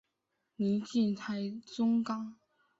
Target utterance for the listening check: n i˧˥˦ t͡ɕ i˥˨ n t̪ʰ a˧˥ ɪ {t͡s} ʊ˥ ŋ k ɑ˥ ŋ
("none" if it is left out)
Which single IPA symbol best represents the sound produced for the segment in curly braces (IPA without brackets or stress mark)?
t͡s